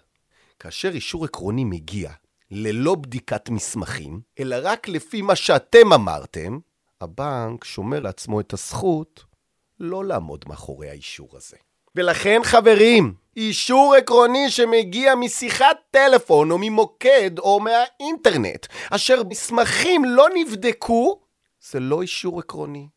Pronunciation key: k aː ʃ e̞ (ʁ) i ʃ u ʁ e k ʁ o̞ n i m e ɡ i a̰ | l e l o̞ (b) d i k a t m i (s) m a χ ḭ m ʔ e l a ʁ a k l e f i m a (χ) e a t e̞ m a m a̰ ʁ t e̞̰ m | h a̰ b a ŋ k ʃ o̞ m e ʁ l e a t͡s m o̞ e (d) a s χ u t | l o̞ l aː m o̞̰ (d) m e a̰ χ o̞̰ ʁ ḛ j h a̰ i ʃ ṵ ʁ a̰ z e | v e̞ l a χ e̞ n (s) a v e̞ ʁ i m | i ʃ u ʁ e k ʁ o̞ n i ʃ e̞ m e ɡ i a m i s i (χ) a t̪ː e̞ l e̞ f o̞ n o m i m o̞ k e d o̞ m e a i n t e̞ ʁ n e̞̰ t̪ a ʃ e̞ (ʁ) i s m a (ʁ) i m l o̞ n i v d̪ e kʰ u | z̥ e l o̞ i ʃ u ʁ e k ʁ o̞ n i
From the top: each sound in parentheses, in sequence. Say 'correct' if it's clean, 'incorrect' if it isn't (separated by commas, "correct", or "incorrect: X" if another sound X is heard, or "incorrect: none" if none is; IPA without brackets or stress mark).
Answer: correct, correct, correct, incorrect: ʃ, incorrect: t, correct, incorrect: χ, correct, correct, incorrect: χ